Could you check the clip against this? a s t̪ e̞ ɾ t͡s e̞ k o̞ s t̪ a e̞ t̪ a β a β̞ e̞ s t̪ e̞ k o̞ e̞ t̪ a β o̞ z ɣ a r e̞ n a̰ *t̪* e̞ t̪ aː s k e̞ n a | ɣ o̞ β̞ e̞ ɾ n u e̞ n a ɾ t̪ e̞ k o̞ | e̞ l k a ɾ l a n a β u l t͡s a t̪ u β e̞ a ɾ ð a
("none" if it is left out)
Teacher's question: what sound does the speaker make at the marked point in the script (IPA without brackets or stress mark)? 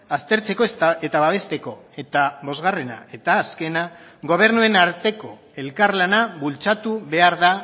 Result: none